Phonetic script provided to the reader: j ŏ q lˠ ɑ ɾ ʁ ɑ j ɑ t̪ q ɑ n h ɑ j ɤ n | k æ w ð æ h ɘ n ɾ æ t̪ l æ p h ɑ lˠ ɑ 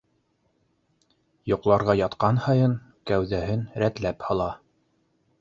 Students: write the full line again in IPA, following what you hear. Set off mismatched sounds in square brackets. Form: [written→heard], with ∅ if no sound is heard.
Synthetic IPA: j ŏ q lˠ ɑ ɾ ʁ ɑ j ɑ t̪ q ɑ n h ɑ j ɤ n | k æ w ð æ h ɘ n ɾ æ t̪ l æ p h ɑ lˠ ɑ